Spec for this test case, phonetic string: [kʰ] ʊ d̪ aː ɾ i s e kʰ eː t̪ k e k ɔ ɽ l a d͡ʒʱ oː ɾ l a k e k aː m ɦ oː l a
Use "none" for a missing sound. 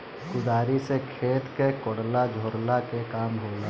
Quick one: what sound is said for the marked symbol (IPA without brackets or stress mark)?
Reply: k